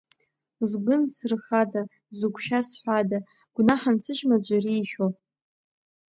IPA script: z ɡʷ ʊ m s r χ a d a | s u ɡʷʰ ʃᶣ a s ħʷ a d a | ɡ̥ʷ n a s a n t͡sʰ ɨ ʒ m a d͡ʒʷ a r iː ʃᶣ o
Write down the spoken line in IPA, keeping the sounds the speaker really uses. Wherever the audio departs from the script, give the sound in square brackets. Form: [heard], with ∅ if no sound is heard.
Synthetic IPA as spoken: z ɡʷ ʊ [n] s r χ a d a | [z] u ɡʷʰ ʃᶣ a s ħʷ a d a | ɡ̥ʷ n a [ħ] a n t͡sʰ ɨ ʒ m a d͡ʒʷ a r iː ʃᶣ o